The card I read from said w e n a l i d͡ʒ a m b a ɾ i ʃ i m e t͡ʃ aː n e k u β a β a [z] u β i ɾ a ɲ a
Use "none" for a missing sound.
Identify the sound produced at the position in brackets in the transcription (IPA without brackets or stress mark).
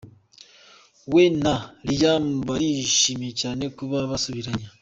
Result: s